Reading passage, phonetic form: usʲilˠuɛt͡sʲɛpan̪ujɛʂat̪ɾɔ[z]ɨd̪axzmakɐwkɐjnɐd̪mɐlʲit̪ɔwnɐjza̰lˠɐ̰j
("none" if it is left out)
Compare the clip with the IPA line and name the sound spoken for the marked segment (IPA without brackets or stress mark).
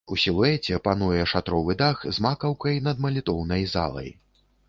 v